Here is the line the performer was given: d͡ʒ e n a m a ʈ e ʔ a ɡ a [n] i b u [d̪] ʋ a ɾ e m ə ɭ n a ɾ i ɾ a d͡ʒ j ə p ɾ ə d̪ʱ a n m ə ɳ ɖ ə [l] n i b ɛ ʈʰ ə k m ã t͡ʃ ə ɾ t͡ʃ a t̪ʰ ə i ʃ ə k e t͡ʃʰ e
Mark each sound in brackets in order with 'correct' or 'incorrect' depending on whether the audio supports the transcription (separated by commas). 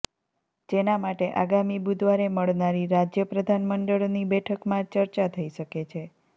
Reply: incorrect, correct, incorrect